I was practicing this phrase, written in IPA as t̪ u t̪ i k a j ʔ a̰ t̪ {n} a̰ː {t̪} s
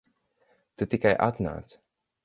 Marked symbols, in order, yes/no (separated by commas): yes, yes